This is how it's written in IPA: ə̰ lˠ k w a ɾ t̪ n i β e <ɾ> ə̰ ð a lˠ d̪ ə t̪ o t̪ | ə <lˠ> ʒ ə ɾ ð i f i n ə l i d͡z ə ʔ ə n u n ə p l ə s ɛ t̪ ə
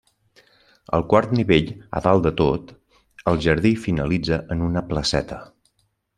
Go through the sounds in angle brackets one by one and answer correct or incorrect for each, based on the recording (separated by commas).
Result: incorrect, correct